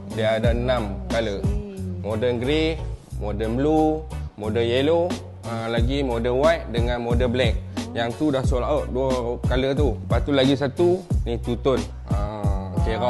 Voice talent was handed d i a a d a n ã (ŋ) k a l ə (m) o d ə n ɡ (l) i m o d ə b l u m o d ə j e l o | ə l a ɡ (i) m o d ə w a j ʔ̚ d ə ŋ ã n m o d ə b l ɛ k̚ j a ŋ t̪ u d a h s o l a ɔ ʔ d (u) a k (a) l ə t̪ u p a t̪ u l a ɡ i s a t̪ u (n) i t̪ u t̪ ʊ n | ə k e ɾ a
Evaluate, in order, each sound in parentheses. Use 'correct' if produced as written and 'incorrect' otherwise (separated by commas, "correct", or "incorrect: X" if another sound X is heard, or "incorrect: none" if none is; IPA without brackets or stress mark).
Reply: incorrect: m, correct, incorrect: ɾ, correct, correct, correct, correct